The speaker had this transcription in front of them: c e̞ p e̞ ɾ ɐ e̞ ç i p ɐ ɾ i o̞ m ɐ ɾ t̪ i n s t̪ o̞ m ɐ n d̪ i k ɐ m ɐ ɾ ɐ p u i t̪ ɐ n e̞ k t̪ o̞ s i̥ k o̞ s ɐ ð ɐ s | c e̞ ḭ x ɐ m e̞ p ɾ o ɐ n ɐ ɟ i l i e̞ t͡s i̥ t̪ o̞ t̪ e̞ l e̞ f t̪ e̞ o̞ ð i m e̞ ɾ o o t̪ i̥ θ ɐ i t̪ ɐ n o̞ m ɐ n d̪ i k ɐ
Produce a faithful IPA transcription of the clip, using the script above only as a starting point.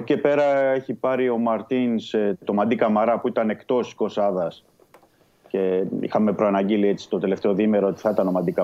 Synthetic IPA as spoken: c e̞ p e̞ ɾ ɐ e̞ ç i p ɐ ɾ i o̞ m ɐ ɾ t̪ i n s t̪ o̞ m ɐ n d̪ i k ɐ m ɐ ɾ ɐ p u i t̪ ɐ n e̞ k t̪ o̞ s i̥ k o̞ s ɐ ð ɐ s | c e̞ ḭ x ɐ m e̞ p ɾ o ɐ n ɐ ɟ i l i e̞ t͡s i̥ t̪ o̞ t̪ e̞ l e̞ f t̪ e̞ o̞ ð i m e̞ ɾ o o t̪ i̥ θ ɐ i t̪ ɐ n o̞ m ɐ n d̪ i k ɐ